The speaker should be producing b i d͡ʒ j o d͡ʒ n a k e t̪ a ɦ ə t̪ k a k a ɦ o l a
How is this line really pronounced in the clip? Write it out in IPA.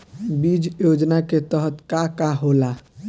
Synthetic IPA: b i d͡ʒ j o d͡ʒ n a k e t̪ ə ɦ ə t̪ k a k a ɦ o l a